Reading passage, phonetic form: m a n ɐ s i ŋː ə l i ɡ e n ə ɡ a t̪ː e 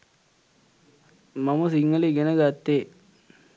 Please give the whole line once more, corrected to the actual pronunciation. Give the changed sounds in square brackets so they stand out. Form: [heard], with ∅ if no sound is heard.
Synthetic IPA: m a [m] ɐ s i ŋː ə l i ɡ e n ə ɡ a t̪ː e